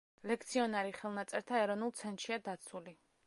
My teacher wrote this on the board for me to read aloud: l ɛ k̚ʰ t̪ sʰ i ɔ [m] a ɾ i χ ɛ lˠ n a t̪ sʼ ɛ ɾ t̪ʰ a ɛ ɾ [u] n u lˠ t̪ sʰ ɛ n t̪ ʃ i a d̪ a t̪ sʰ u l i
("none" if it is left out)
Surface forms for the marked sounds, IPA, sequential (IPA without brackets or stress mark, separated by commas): n, ɔ